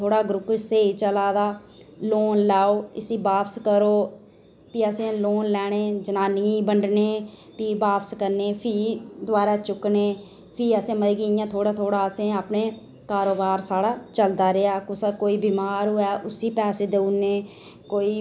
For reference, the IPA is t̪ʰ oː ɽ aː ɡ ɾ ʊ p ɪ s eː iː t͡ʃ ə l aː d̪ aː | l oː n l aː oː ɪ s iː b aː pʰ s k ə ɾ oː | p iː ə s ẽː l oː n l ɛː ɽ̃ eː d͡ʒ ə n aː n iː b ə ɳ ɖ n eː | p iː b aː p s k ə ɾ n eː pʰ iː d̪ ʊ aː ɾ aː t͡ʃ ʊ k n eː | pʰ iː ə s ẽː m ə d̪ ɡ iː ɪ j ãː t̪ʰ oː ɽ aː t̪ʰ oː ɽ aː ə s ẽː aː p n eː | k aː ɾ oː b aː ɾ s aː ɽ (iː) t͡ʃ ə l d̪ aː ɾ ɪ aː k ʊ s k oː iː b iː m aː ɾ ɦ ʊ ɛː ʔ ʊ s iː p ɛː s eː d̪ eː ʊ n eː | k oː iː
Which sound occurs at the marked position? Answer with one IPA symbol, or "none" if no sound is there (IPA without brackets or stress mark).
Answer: aː